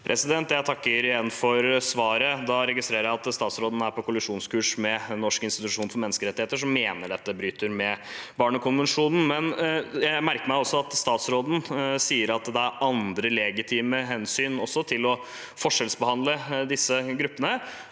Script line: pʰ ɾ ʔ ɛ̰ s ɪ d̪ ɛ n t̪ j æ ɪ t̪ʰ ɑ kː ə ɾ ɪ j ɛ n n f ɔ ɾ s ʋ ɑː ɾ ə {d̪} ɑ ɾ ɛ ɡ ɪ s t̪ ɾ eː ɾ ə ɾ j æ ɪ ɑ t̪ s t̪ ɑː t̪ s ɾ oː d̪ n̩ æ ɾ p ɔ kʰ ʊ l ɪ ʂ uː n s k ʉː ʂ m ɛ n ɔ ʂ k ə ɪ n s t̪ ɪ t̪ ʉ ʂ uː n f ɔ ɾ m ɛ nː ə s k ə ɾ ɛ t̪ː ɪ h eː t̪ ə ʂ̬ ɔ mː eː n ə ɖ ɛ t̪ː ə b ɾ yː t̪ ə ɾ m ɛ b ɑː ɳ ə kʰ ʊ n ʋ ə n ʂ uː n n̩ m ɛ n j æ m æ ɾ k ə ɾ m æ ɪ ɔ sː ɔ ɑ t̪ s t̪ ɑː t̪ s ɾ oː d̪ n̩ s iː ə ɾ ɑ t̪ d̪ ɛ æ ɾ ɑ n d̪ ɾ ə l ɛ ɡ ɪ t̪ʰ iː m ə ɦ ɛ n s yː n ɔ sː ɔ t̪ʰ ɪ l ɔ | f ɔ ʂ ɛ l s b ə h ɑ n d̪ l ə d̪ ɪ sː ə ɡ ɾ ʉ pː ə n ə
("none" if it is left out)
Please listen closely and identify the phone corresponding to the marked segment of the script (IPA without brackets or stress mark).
d̪